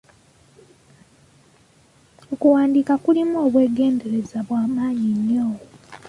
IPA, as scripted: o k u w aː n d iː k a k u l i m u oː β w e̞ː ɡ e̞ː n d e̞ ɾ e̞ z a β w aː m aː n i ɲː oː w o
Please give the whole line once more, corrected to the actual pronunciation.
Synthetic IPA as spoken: o k u w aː n d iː k a k u l i m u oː β w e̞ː ɡ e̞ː n d e̞ ɾ e̞ z a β w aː m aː ɲ i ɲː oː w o